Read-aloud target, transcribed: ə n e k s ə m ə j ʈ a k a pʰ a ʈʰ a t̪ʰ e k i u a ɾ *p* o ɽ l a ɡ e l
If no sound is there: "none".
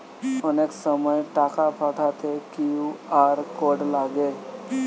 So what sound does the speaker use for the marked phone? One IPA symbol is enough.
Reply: k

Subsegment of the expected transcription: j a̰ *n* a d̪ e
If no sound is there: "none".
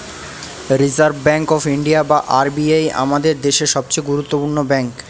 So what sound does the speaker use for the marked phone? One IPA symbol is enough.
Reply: m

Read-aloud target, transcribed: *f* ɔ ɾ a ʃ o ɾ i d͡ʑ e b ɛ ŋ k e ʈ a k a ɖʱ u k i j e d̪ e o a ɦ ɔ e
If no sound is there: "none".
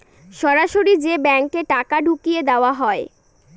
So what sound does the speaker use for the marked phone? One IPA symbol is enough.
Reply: ʃ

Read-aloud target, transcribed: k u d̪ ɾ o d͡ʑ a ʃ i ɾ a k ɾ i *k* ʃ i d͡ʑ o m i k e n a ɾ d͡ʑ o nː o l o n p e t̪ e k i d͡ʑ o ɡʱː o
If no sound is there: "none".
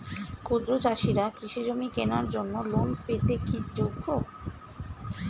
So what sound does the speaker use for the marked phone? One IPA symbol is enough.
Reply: none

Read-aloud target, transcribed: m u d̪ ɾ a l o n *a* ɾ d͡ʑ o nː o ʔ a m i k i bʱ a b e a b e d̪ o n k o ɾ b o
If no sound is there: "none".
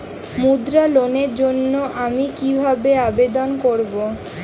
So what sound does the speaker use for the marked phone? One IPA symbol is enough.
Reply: e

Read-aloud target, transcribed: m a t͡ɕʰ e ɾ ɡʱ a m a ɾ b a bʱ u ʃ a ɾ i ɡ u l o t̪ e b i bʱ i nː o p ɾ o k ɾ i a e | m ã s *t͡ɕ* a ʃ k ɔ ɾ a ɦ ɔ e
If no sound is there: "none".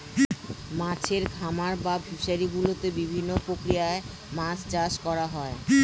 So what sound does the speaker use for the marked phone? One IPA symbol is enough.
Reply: t͡ɕ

